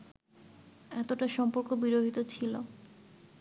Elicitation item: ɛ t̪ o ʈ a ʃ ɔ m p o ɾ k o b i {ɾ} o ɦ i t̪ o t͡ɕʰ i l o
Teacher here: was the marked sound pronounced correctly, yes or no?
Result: yes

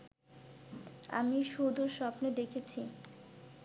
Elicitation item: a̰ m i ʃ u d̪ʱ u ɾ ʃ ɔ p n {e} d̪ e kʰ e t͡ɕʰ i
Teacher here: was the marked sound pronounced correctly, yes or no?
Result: yes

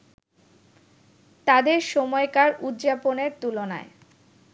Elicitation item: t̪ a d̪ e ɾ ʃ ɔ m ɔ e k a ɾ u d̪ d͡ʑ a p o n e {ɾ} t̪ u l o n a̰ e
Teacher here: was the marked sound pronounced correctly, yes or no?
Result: yes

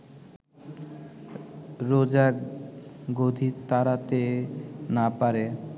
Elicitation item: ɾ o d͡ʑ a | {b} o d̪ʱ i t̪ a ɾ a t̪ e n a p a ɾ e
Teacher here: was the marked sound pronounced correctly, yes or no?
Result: no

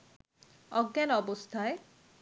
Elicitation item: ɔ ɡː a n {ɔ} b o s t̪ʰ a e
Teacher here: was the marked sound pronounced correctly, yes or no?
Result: yes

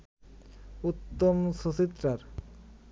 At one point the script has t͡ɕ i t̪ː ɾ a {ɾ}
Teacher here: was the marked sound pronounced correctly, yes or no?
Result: yes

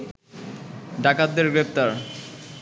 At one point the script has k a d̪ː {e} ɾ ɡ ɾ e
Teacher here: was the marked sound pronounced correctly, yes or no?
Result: yes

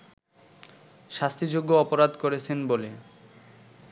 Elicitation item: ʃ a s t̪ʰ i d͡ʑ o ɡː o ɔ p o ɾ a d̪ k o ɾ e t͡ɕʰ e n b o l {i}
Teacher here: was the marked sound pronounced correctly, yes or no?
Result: no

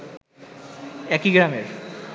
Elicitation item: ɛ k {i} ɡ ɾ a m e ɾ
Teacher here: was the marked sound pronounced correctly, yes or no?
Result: yes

